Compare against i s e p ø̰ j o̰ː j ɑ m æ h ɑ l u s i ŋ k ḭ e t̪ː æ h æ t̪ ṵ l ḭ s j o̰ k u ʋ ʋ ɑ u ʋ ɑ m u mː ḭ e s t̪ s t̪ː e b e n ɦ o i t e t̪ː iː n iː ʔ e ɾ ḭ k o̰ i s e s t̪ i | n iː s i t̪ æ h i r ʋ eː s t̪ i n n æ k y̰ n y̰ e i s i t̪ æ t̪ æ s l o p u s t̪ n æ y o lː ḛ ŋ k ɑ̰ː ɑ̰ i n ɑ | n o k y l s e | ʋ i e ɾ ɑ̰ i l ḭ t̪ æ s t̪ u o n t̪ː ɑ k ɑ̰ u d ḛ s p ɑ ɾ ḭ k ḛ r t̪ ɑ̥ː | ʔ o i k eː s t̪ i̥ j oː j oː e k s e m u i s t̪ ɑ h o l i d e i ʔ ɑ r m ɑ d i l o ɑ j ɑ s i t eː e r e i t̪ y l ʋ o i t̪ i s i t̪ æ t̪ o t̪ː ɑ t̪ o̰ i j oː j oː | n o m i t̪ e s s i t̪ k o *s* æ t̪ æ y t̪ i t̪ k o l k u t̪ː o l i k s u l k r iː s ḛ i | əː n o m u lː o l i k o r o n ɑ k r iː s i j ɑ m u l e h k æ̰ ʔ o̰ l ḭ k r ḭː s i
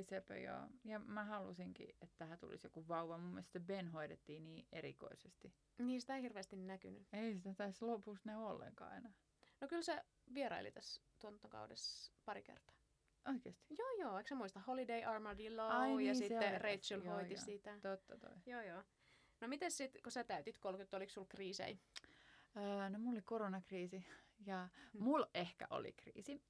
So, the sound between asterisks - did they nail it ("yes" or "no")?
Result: yes